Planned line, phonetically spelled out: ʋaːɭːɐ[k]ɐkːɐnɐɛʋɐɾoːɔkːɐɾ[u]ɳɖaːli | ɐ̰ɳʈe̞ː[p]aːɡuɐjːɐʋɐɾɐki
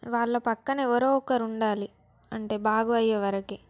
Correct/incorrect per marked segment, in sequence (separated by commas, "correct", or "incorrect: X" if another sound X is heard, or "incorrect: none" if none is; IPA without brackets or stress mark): incorrect: p, correct, incorrect: b